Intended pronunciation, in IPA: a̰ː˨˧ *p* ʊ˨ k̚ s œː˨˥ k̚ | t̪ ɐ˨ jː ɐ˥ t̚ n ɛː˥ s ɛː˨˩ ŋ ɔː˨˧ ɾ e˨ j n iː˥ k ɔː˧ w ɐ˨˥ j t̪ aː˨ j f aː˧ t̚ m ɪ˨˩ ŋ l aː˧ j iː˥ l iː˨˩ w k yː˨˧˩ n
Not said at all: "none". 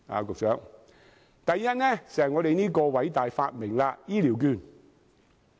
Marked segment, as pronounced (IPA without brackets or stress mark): k